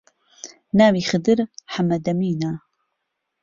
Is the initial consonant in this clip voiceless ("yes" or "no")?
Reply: no